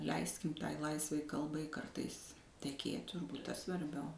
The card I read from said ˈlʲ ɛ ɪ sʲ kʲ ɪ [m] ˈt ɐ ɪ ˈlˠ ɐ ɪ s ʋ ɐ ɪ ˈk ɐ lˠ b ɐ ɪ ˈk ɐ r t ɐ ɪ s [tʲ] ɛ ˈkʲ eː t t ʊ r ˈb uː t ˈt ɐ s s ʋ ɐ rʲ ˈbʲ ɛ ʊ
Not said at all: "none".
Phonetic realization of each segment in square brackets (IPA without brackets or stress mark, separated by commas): m, tʲ